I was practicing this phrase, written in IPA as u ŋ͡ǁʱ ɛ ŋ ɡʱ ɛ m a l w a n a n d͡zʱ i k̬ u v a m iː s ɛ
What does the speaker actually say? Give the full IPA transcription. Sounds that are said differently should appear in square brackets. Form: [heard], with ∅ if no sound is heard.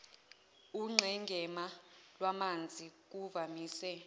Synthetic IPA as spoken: u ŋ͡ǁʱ ɛ ŋ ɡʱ ɛ m a l w a [m] a n d͡zʱ i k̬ u v a m iː s ɛ

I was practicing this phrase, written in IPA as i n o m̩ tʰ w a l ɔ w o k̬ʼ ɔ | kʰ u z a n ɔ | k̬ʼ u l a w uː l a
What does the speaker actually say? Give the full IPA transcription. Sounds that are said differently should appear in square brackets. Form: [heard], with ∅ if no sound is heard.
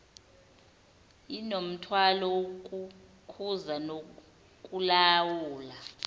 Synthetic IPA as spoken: i n o m̩ tʰ w a l ɔ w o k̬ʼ [u] | kʰ u z a n [o] | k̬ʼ u l a w uː l a

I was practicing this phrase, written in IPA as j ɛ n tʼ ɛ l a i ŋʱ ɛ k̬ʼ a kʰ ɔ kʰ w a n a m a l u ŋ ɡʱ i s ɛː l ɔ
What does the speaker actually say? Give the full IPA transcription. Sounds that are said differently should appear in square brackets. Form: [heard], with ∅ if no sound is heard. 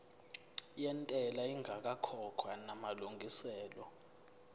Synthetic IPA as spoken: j ɛ n tʼ ɛ l a i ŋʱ [a] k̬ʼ a kʰ ɔ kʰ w a n a m a l u ŋ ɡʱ i s ɛː l ɔ

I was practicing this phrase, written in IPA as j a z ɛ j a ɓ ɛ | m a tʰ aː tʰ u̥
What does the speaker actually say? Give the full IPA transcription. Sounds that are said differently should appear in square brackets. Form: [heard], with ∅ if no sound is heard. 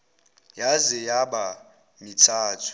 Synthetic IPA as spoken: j a z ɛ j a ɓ [a] | m [i] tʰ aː tʰ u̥

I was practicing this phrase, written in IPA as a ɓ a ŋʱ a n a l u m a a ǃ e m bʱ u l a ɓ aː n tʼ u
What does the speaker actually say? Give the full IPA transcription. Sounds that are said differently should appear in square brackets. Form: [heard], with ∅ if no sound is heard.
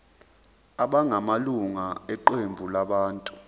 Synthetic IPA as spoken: a ɓ a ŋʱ a [m] a l u [ŋ] a [ɛ] ǃ e m bʱ u l a ɓ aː n tʼ u

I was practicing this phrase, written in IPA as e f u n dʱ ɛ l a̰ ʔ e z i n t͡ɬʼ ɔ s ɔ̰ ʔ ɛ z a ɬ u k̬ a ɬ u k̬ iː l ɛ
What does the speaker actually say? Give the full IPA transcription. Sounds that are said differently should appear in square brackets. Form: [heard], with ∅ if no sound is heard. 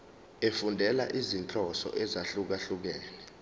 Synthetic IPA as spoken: e f u n dʱ ɛ l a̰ ʔ [i] z i n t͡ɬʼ ɔ s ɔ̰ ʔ ɛ z a ɬ u k̬ a ɬ u k̬ [ɛː] l ɛ

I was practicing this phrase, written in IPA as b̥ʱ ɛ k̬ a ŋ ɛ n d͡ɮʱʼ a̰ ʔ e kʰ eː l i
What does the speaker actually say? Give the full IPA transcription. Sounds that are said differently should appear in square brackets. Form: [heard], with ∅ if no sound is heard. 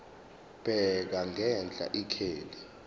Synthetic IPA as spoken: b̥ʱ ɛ k̬ a ŋ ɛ n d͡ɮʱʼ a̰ ʔ [i] kʰ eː l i

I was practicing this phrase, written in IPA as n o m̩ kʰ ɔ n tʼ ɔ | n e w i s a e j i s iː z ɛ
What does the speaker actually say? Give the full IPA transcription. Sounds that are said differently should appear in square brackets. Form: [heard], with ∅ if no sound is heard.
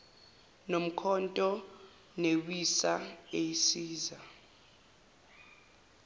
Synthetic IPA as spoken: n o m̩ kʰ ɔ n tʼ ɔ | n e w i s a e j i s iː z [a]

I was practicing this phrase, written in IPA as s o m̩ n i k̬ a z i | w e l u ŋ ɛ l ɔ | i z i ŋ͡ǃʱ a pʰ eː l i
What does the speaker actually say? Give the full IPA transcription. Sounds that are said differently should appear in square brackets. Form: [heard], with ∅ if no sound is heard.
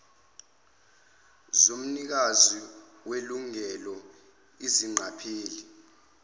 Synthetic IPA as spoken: [z] o m̩ n i k̬ a z i | w e l u ŋ ɛ l ɔ | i z i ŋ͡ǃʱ a pʰ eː l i

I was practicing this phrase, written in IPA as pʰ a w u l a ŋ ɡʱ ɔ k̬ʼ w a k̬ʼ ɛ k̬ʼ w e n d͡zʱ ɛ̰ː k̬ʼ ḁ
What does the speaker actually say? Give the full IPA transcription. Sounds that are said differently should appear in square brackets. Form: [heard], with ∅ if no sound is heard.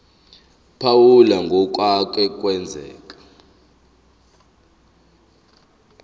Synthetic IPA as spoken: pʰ a w u l a ŋ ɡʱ ɔ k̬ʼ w a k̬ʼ ɛ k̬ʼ w [ɛ] n d͡zʱ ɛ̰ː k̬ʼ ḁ

